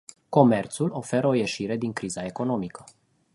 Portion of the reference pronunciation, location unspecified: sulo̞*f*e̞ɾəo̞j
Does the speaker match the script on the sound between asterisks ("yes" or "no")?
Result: yes